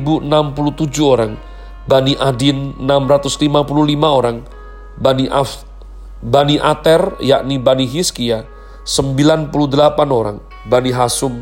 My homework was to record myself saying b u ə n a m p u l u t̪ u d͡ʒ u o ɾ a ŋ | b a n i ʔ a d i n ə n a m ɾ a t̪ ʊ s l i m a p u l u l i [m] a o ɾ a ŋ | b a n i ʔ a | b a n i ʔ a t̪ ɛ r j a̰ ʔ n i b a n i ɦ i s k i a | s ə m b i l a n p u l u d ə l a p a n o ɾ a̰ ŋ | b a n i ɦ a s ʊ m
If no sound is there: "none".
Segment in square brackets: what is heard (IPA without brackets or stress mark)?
m